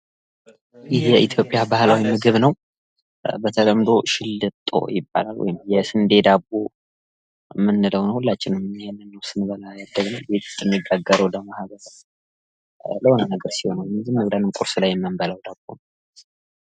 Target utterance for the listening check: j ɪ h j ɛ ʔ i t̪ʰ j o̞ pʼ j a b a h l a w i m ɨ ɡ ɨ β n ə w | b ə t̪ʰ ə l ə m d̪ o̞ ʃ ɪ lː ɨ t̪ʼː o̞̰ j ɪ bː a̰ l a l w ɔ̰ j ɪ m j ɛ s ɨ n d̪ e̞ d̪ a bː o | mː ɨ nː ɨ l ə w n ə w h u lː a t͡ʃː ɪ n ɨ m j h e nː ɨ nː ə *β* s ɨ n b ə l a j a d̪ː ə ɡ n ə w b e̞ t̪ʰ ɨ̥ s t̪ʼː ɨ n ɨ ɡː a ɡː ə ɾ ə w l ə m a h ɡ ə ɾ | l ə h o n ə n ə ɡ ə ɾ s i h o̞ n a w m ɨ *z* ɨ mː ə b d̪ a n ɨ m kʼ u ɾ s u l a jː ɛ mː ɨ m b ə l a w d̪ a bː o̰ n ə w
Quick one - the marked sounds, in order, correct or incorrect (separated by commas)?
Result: incorrect, correct